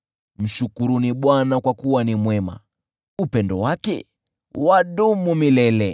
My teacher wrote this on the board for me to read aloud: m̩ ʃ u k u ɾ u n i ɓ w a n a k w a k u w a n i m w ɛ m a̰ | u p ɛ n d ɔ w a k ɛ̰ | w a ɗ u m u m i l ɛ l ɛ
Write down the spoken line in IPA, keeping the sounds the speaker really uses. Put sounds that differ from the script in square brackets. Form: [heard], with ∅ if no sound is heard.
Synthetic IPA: m̩ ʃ u k u ɾ u n i ɓ w a n a k w a k u w a n i m w ɛ m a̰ | u p ɛ n d ɔ w a k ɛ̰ | w a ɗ u m u m i l ɛ l ɛ